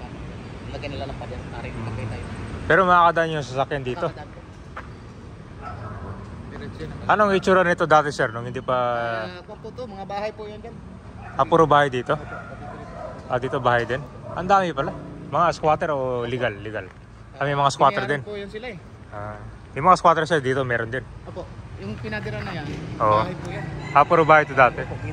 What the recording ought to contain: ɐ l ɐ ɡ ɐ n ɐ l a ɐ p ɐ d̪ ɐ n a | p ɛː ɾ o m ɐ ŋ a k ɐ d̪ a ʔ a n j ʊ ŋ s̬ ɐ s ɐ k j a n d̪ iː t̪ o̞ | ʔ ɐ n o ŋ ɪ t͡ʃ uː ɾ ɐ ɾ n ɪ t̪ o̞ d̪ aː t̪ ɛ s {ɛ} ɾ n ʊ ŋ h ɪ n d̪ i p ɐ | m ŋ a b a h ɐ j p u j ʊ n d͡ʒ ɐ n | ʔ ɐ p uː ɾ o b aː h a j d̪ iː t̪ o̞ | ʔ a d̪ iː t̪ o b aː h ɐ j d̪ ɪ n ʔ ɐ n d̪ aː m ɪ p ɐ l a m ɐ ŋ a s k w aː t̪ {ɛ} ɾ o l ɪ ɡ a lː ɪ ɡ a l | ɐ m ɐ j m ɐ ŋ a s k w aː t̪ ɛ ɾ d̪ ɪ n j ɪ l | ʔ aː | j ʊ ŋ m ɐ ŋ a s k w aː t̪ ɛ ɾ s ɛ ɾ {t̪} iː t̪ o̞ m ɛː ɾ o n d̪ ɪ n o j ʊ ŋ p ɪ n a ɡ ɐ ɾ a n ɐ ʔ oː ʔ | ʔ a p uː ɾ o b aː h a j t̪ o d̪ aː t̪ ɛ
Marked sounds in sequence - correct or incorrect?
correct, correct, incorrect

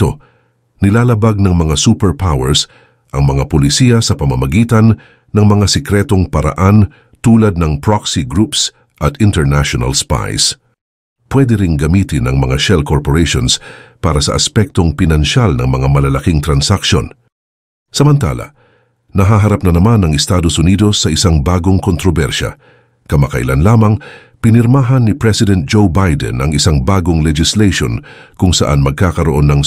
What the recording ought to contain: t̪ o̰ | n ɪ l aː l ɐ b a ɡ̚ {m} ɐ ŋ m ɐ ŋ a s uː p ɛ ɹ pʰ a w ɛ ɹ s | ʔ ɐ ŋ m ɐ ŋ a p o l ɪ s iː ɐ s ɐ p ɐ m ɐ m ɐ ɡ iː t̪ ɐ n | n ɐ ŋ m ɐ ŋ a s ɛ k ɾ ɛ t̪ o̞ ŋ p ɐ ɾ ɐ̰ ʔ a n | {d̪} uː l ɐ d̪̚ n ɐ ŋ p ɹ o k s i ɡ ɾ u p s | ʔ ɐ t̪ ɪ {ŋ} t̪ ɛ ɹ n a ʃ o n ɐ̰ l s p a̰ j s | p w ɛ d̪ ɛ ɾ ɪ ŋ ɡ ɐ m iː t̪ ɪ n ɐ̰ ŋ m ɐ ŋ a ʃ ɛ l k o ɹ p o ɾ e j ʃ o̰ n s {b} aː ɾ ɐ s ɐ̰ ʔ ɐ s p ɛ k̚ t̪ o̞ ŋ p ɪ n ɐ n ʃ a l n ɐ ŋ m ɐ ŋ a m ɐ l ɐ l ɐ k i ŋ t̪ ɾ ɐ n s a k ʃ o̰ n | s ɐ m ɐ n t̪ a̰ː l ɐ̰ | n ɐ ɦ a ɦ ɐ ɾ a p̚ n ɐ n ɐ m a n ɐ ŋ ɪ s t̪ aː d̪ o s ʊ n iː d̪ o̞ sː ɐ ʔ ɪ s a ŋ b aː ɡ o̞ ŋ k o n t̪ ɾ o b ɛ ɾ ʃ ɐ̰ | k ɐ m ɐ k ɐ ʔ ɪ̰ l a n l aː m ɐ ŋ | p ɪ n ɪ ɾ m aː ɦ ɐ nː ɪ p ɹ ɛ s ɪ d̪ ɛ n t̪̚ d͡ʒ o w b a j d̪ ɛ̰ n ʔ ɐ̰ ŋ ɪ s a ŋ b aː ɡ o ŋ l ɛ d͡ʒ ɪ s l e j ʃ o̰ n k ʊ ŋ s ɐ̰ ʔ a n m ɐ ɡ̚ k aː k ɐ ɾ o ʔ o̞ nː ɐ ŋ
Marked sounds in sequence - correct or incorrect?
incorrect, incorrect, incorrect, incorrect

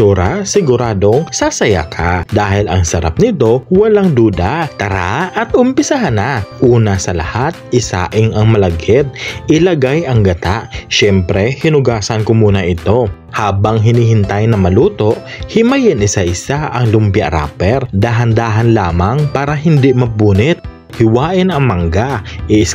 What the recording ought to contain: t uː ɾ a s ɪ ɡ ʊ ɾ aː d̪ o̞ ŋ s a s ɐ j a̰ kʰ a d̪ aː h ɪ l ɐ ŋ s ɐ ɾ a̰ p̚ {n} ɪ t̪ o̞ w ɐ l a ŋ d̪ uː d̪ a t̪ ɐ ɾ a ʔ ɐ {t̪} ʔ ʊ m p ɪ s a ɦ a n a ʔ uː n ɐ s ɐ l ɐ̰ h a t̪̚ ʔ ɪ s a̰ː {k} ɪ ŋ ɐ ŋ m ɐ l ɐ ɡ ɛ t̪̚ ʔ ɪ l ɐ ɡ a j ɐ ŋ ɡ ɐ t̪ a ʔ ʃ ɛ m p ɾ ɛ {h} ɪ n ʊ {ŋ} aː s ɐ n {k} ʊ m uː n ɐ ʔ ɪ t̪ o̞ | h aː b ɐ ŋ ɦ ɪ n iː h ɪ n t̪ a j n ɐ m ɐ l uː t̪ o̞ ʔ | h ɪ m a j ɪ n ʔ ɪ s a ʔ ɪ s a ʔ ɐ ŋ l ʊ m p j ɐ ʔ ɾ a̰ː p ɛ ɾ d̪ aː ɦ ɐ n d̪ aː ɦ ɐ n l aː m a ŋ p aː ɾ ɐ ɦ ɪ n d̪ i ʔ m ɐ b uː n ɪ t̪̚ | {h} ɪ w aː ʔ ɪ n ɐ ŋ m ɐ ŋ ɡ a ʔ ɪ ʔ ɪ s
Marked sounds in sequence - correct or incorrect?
correct, correct, incorrect, correct, incorrect, correct, correct

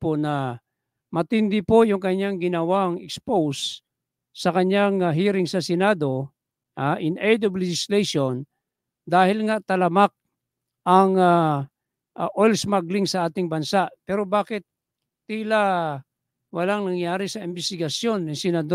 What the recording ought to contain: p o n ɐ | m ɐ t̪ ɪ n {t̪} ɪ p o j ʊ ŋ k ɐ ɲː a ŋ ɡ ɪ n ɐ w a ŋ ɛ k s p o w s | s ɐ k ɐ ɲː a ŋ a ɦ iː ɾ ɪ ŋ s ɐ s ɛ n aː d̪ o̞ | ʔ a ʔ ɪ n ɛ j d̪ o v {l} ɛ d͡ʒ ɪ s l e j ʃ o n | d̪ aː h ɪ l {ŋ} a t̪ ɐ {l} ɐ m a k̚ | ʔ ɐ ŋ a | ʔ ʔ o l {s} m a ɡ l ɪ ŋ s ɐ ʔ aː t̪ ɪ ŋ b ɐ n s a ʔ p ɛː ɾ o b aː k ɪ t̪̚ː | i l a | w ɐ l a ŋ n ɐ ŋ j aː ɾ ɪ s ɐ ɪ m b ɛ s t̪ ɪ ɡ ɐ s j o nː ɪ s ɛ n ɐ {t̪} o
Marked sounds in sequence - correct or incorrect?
incorrect, correct, correct, correct, correct, incorrect

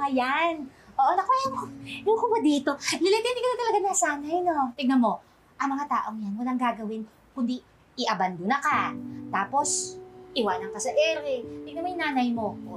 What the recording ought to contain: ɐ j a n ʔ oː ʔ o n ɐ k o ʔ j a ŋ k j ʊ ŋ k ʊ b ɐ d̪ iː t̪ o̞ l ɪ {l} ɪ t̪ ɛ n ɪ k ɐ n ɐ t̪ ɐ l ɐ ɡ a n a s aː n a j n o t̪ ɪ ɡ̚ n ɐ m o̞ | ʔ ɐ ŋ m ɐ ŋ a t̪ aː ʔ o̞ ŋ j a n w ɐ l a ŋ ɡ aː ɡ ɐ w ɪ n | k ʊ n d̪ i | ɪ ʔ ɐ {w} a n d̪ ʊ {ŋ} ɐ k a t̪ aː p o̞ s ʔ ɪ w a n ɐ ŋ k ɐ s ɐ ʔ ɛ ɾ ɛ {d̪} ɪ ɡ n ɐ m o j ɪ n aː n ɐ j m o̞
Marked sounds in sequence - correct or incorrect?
correct, incorrect, incorrect, incorrect

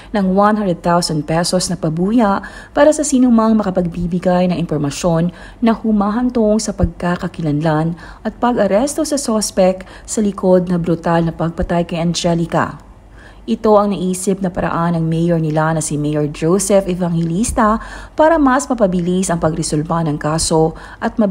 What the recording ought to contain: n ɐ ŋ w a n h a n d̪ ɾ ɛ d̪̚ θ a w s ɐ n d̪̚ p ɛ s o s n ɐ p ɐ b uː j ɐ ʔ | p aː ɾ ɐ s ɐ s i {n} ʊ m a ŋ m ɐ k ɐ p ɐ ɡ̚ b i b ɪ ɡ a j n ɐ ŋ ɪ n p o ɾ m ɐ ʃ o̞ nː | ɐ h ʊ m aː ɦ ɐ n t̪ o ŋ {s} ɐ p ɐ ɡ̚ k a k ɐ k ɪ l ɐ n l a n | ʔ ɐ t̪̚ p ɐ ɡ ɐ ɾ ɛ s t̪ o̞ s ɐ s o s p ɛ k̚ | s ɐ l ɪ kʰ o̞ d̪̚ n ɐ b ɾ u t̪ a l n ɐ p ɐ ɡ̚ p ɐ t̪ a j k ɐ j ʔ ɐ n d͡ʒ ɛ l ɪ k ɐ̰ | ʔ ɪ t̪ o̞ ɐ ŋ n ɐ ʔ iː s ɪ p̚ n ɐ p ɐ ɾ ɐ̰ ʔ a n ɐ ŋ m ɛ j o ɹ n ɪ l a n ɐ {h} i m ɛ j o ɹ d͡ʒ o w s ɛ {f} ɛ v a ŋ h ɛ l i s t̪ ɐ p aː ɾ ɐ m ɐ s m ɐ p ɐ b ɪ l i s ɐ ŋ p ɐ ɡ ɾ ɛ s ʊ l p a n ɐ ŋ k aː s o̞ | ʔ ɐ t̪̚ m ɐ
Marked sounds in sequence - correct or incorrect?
correct, correct, incorrect, correct

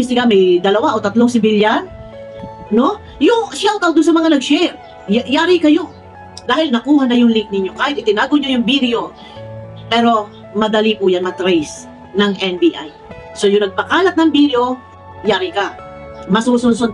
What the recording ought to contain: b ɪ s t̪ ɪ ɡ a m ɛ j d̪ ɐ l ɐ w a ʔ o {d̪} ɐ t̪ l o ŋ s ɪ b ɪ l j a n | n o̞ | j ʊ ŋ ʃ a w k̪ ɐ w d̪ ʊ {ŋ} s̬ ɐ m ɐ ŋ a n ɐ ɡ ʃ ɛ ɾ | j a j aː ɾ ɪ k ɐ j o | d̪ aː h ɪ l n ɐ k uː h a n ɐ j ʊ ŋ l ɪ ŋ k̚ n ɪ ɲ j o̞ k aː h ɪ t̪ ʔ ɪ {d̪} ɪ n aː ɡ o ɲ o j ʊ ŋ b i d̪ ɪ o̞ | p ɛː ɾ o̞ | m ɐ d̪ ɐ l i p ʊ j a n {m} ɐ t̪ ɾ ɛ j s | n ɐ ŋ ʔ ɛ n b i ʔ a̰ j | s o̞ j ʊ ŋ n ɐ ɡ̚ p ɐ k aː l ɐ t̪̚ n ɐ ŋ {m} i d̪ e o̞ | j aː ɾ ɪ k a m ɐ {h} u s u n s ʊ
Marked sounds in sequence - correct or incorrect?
incorrect, incorrect, incorrect, correct, incorrect, incorrect

